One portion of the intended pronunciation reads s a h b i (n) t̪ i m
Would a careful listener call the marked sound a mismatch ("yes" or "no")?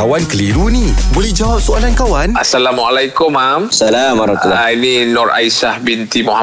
no